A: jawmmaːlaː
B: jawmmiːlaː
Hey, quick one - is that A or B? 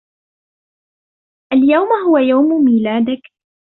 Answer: B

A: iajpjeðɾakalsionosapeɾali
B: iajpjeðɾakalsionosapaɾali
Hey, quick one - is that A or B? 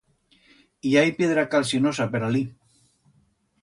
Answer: A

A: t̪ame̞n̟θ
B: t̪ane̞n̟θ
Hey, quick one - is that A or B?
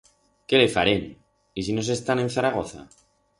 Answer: B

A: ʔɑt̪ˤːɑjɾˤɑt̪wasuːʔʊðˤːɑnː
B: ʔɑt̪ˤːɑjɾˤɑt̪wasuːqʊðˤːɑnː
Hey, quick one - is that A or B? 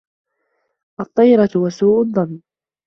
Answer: A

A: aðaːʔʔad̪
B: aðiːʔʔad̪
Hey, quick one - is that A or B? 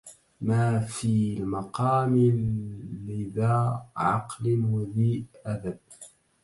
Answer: B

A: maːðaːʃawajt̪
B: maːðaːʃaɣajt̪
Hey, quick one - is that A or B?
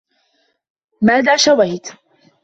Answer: A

